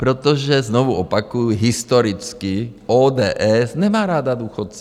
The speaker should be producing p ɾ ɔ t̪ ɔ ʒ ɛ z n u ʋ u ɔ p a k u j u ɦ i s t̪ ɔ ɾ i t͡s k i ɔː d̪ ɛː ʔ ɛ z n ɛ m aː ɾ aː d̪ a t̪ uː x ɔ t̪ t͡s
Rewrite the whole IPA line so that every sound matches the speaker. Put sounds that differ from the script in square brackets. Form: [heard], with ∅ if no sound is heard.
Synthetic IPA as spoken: p ɾ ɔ t̪ ɔ ʒ ɛ z n [ɔ] ʋ u ɔ p a k u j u ɦ i s t̪ ɔ ɾ i t͡s k i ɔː d̪ ɛː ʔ ɛ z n ɛ m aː ɾ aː d̪ a [d̪] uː x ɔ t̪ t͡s